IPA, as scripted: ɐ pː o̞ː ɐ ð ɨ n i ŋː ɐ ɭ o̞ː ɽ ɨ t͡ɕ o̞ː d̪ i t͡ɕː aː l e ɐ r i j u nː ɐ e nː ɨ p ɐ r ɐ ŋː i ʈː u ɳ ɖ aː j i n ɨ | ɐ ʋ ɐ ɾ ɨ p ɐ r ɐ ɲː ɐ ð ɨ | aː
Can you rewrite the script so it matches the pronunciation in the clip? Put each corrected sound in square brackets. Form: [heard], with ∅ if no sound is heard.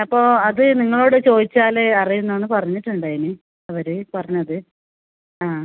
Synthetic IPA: ɐ pː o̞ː ɐ ð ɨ n i ŋː ɐ ɭ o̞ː ɽ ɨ t͡ɕ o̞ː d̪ i t͡ɕː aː l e ɐ r i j u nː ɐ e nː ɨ p ɐ r ɐ [ɲː] i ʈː u ɳ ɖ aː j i n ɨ | ɐ ʋ ɐ ɾ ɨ p ɐ r ɐ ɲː ɐ ð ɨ | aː